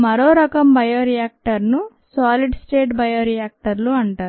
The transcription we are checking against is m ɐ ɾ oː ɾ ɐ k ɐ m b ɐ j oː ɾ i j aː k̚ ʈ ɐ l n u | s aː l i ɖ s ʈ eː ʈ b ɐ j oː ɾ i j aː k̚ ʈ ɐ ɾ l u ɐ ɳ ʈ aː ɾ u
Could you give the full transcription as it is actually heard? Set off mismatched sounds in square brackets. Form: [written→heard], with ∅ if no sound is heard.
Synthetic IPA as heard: m ɐ ɾ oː ɾ ɐ k ɐ m b ɐ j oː ɾ i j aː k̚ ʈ ɐ [l→ɾ] n u | s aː l i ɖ s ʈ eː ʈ b ɐ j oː ɾ i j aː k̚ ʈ ɐ ɾ l u ɐ ɳ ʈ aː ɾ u